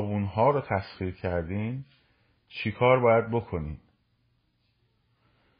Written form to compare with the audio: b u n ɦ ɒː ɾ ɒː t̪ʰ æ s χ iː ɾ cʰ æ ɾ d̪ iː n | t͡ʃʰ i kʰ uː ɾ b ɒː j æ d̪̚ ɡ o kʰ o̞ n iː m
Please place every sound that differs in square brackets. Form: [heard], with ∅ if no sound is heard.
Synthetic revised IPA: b u n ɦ ɒː ɾ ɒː t̪ʰ æ s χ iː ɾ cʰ æ ɾ d̪ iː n | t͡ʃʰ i kʰ [ɒː] ɾ b ɒː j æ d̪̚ [b] o kʰ o̞ n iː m